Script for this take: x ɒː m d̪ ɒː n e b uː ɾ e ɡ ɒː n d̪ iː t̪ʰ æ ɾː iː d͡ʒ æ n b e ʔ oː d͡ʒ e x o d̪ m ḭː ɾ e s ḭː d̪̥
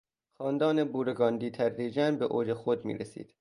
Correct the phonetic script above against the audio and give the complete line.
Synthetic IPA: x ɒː n d̪ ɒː n e b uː ɾ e ɡ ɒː n d̪ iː t̪ʰ æ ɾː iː d͡ʒ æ n b e ʔ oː d͡ʒ e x o d̪ m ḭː ɾ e s ḭː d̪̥